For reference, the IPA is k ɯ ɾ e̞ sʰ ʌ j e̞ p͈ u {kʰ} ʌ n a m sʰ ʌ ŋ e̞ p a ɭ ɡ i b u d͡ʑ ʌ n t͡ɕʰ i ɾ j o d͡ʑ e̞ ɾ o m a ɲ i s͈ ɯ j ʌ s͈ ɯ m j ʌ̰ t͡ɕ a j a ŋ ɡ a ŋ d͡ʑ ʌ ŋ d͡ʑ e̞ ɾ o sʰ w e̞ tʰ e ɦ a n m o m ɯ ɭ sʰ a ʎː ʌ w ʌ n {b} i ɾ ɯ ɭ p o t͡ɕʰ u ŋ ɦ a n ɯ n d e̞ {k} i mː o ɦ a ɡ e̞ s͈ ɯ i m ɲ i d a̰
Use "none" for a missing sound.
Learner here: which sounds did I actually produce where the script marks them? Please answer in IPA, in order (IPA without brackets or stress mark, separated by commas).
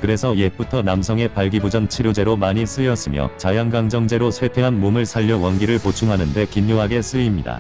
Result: tʰ, ɡ, k